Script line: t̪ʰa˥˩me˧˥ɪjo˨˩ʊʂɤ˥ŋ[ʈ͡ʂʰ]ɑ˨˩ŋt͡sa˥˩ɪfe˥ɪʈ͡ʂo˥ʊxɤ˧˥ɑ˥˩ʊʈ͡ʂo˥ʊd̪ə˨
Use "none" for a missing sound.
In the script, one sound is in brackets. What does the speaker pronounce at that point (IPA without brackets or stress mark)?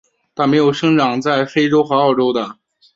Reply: ʈ͡ʂ